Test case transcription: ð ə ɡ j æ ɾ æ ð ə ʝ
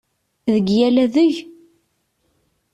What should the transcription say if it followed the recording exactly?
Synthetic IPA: ð ə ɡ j æ l æ ð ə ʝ

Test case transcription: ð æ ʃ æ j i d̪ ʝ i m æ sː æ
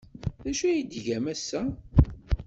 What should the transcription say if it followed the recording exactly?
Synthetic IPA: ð æ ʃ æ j i d̪ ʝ æ m æ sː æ

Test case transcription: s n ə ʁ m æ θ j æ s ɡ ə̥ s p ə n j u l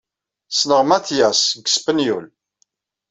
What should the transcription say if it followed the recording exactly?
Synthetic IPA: s n ə ʁ m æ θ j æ s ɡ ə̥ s p ə n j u l

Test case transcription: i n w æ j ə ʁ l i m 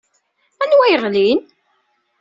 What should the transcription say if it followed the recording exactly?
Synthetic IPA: æ n w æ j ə ʁ l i n

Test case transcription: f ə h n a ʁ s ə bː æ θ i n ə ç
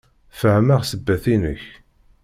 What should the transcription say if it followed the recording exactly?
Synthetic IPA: f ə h m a ʁ s ə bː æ θ i n ə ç

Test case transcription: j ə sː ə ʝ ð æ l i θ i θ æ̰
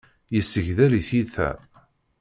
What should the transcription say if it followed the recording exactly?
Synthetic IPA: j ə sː ə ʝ ð æ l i θ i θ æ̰

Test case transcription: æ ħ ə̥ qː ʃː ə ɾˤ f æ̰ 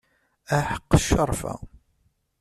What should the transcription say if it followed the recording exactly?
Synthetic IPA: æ ħ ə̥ qː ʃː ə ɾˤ f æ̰

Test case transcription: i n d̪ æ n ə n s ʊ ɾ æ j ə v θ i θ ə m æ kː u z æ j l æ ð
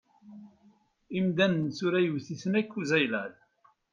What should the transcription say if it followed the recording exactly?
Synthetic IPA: i m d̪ æ n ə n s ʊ ɾ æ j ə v θ i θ ə n æ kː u z æ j l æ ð

